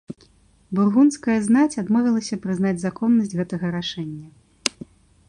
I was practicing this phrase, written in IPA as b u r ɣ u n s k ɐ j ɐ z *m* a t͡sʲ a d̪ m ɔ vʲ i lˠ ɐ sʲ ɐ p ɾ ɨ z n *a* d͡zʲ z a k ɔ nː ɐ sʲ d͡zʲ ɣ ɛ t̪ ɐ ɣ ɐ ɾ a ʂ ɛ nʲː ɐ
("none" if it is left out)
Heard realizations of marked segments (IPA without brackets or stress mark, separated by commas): n, a